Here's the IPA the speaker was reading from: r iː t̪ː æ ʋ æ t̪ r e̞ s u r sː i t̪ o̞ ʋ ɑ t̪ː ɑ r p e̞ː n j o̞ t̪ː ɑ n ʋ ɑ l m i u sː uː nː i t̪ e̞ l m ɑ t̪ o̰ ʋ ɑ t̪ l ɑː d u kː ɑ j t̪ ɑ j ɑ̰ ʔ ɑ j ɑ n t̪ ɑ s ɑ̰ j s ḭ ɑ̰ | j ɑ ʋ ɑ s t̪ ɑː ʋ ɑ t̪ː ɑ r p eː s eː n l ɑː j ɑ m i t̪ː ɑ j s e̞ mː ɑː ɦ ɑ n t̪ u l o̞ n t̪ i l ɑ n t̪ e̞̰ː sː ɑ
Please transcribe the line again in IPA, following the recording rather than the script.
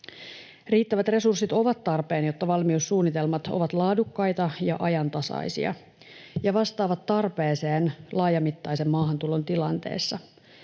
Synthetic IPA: r iː t̪ː æ ʋ æ t̪ r e̞ s u r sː i t̪ o̞ ʋ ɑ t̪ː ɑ r p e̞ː n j o̞ t̪ː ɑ ʋ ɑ l m i u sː uː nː i t̪ e̞ l m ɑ t̪ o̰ ʋ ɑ t̪ l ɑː d u kː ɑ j t̪ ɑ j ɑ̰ ʔ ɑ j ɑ n t̪ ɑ s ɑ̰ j s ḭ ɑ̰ | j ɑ ʋ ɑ s t̪ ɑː ʋ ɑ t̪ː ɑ r p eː s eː n l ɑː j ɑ m i t̪ː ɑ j s e̞ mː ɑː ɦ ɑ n t̪ u l o̞ n t̪ i l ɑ n t̪ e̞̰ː sː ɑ